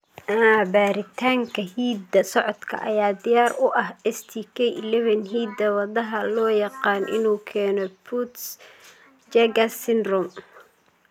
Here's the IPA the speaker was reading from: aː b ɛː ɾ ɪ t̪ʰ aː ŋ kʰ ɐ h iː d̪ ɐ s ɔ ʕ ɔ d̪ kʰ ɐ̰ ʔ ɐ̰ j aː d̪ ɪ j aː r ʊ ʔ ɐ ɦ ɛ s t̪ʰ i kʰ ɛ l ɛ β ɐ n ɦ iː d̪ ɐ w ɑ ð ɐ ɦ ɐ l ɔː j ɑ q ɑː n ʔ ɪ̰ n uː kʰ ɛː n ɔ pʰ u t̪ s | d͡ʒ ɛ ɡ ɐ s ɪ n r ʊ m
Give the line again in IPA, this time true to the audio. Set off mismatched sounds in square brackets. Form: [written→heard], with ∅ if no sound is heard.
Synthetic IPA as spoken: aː b [ɛː→aː] ɾ ɪ t̪ʰ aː ŋ kʰ ɐ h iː d̪ ɐ s ɔ ʕ ɔ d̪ kʰ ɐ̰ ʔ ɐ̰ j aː d̪ ɪ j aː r ʊ ʔ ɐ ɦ ɛ s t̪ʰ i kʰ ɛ l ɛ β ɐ n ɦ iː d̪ ɐ w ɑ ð ɐ ɦ ɐ l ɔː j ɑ q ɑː n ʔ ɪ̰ n uː kʰ ɛː n ɔ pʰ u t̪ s | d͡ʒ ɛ ɡ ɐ s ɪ n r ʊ m